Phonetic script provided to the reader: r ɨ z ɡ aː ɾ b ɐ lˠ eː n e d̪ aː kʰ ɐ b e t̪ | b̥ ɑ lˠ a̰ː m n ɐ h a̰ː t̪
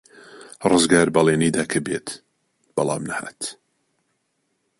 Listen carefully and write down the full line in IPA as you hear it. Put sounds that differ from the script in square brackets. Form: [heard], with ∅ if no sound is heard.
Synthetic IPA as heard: r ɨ z ɡ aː ɾ b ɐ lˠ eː n [i] d̪ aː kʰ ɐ b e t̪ | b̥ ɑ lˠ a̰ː m n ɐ h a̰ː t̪